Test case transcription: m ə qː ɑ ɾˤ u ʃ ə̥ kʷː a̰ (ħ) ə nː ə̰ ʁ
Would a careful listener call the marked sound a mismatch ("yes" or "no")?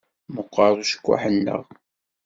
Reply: no